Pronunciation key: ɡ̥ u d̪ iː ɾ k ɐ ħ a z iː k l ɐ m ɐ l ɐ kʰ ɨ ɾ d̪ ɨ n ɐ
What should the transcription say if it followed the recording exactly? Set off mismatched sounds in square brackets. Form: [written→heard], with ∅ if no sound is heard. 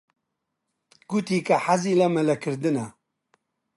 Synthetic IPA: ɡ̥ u [d̪→t̪] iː [ɾ→∅] k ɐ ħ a z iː [k→∅] l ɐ m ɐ l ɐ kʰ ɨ ɾ d̪ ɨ n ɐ